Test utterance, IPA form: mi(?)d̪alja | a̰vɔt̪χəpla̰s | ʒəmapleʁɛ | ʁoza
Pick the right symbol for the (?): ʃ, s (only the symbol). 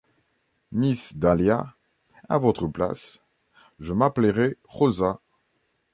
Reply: s